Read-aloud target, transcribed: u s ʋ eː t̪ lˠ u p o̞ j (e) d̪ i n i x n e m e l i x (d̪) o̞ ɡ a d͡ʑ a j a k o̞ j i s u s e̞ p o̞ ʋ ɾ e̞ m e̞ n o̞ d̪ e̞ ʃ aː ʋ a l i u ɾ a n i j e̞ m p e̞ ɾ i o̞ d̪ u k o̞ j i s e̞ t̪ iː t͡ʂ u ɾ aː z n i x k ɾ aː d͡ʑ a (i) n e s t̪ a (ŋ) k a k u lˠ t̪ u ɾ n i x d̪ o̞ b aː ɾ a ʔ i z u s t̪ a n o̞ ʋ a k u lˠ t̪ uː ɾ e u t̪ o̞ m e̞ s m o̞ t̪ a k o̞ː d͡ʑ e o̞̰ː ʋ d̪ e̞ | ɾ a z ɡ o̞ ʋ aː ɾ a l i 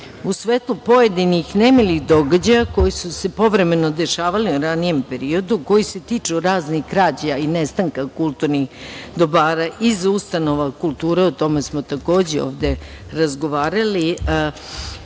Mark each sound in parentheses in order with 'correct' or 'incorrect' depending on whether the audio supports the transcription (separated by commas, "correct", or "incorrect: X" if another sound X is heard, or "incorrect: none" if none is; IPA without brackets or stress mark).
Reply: correct, correct, correct, correct